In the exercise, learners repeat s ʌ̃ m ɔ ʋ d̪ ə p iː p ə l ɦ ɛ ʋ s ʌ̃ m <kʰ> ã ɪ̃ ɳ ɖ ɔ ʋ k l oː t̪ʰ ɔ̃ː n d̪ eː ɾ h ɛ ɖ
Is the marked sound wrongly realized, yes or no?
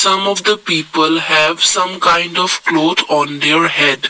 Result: yes